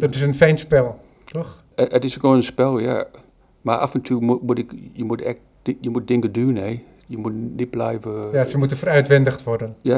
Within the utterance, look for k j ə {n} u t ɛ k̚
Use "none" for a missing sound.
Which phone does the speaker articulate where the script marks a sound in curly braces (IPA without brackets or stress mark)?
m